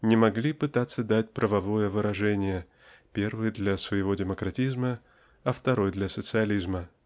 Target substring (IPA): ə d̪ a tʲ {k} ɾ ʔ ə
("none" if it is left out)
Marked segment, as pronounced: p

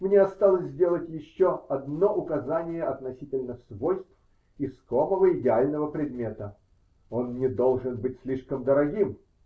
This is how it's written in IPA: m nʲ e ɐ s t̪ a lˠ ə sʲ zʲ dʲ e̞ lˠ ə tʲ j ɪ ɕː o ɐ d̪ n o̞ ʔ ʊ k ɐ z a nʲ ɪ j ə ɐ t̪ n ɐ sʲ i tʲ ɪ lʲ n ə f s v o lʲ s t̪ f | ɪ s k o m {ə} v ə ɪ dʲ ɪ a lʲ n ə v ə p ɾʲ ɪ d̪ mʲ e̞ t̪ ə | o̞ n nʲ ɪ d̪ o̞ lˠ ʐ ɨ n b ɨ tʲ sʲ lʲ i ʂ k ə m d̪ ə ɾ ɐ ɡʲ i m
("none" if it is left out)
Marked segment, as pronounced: ə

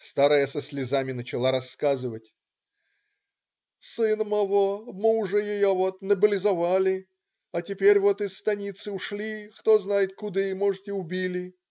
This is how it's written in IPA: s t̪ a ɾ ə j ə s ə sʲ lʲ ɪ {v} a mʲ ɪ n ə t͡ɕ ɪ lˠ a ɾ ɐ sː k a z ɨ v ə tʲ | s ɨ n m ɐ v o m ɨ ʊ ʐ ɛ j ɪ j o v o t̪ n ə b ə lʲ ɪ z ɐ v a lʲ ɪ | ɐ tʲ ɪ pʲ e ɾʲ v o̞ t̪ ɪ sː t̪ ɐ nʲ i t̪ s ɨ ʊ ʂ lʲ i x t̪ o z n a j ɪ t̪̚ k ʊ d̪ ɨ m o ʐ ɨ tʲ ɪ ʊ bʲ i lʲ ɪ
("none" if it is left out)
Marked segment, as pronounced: z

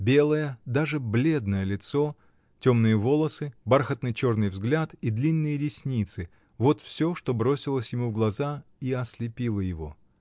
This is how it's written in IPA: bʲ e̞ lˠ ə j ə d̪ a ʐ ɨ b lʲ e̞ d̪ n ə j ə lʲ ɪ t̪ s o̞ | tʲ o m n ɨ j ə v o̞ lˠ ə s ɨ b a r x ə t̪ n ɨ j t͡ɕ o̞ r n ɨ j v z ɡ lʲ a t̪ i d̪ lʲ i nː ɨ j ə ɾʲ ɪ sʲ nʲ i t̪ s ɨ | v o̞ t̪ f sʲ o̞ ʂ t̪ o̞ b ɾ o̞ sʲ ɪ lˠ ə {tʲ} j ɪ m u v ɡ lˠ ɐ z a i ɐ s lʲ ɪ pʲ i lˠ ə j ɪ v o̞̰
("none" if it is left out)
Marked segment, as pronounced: sʲ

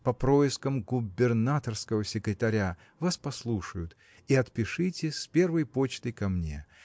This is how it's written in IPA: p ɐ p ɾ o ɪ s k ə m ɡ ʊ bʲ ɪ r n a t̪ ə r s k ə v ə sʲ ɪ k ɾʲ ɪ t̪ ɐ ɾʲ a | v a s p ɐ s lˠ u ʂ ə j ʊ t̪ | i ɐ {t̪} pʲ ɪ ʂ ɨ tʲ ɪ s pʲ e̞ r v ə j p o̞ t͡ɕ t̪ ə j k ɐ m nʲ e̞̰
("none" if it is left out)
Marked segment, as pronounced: t̪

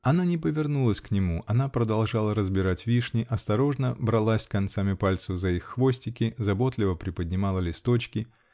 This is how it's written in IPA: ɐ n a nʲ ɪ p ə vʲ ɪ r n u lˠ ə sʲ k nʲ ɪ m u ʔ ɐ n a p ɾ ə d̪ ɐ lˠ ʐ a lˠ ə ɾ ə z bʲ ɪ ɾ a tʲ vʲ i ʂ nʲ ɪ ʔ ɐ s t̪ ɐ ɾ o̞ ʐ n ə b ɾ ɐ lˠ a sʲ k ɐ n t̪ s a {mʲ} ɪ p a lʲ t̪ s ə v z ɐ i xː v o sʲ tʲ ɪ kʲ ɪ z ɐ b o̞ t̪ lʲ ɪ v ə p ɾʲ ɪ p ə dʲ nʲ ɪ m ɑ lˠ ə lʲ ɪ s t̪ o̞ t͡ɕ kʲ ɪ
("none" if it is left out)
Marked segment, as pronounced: mʲ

